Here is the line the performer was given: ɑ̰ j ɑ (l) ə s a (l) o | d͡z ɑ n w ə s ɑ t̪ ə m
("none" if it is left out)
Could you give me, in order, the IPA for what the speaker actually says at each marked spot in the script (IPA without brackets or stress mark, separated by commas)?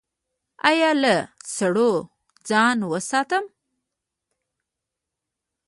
l, ɽ